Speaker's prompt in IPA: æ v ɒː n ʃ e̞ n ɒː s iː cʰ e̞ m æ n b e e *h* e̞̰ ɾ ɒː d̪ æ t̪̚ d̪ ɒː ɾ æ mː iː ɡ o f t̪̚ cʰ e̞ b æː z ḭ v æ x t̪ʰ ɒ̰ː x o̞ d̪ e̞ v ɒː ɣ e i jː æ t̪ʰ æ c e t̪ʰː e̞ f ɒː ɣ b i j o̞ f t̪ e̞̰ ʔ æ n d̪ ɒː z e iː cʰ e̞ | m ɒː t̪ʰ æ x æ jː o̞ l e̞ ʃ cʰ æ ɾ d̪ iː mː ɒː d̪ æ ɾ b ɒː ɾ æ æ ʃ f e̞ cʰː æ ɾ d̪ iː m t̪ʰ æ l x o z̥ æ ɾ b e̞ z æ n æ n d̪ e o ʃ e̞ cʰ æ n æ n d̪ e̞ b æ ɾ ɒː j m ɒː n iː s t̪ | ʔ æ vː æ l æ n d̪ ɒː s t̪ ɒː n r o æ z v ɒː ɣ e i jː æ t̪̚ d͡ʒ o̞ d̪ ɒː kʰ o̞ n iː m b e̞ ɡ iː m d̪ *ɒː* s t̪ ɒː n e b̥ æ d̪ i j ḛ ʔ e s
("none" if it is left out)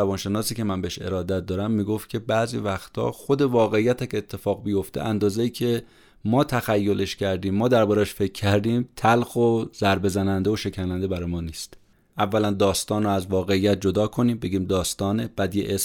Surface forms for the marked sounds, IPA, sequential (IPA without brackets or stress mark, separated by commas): ʃ, ɒː